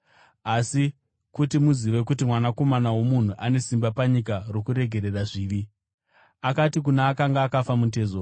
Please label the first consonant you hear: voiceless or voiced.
voiceless